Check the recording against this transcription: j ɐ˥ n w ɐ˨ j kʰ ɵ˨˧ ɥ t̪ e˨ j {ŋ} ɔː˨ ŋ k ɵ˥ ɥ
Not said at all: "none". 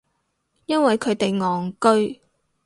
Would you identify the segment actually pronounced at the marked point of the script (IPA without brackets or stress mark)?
ŋ